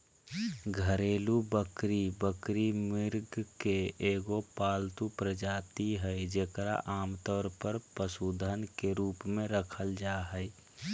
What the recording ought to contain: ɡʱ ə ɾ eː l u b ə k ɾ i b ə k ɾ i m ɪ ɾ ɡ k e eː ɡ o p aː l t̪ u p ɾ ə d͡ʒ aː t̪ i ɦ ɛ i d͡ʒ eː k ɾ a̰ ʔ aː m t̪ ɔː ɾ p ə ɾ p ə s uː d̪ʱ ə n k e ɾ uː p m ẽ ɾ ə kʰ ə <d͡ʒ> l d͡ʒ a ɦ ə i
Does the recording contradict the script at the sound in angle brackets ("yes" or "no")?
yes